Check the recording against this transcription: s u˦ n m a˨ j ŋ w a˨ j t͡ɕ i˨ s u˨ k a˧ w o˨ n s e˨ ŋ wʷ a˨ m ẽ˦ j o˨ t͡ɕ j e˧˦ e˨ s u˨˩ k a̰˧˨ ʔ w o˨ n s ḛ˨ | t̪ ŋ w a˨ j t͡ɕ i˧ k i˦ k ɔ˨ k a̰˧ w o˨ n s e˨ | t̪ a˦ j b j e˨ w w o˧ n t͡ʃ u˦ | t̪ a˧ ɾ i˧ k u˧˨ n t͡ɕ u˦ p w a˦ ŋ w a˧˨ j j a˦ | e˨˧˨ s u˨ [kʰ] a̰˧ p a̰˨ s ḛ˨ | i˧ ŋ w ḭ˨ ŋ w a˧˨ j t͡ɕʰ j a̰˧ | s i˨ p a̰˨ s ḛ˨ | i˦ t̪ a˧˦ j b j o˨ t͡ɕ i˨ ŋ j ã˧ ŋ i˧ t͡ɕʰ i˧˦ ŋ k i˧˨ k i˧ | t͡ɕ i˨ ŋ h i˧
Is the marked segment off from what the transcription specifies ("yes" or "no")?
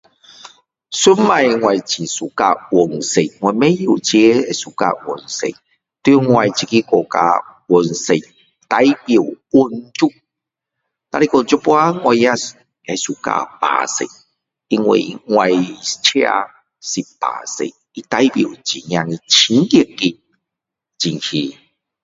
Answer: yes